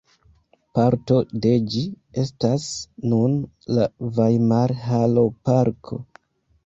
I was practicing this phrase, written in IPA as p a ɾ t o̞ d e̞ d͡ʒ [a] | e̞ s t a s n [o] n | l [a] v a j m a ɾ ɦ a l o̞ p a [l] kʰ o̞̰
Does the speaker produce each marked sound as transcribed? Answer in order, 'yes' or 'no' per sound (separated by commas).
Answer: no, no, yes, no